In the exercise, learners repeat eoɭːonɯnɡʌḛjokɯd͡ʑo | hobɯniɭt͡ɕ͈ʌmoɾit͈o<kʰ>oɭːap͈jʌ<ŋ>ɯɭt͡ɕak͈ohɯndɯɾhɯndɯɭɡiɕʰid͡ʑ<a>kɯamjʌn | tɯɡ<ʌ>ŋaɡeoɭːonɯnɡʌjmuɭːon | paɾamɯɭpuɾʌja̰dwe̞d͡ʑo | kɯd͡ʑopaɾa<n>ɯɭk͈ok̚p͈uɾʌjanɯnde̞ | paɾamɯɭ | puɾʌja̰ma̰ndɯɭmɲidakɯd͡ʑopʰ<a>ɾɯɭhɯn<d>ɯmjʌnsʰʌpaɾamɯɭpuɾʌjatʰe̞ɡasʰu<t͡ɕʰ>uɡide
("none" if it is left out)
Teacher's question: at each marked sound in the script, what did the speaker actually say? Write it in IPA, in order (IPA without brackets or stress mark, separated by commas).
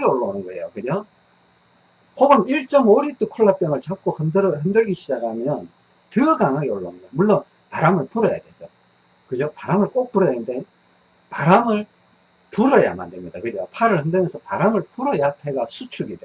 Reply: kʰ, ŋ, a, a, m, a, d, t͡ɕʰ